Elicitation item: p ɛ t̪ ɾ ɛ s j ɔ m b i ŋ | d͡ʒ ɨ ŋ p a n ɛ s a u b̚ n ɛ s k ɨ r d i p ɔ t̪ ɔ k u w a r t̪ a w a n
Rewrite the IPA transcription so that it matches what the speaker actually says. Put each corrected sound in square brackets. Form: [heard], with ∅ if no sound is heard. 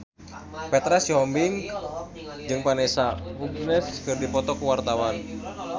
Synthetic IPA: p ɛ t̪ ɾ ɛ s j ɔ m b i ŋ | d͡ʒ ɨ ŋ p a n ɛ s a u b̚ n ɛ s k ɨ r d i p ɔ t̪ ɔ k u w a r t̪ a w a n